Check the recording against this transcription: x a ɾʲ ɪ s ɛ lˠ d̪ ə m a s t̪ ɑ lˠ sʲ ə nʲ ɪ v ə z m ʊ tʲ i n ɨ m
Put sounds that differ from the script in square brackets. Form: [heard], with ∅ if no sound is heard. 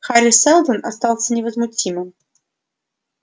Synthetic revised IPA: x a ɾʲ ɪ s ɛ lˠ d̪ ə [n] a s t̪ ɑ lˠ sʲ ə nʲ ɪ v ə z m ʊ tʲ i [m] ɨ m